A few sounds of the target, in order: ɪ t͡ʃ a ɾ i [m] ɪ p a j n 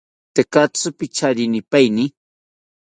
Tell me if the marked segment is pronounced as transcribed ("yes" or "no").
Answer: no